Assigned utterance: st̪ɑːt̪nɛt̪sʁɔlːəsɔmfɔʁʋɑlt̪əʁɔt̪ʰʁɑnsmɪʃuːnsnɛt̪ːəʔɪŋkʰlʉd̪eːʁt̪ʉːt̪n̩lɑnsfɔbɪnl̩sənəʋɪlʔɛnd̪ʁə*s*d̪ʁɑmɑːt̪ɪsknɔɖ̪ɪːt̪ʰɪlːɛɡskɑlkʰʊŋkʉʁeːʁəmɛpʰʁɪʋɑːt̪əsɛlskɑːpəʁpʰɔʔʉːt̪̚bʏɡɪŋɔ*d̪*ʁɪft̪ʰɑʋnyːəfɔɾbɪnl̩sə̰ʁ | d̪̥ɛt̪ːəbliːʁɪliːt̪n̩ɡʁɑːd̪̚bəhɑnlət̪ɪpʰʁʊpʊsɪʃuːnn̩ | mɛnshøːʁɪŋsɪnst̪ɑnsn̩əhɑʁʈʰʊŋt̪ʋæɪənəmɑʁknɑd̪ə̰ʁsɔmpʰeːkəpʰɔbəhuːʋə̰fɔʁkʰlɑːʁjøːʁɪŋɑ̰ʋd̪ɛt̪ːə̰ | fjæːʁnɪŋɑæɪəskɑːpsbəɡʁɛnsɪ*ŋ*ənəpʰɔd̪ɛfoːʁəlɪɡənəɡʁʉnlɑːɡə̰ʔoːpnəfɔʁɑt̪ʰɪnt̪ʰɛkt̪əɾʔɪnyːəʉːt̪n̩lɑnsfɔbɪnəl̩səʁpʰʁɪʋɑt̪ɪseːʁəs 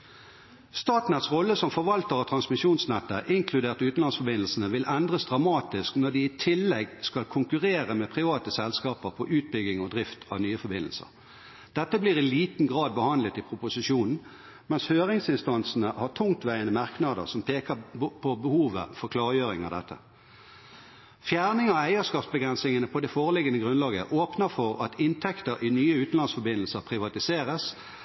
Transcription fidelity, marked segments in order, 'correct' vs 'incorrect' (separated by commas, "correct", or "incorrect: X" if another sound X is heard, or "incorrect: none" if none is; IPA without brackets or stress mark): correct, correct, correct